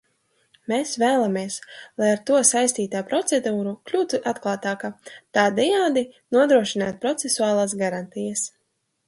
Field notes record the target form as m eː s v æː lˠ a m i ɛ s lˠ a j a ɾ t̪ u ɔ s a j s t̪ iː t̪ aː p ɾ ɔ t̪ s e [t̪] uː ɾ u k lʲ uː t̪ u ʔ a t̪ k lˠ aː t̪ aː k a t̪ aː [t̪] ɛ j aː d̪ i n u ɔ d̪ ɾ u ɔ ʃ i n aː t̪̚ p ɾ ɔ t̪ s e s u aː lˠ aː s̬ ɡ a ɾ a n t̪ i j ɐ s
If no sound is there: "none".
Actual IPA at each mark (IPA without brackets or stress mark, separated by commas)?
d̪, d̪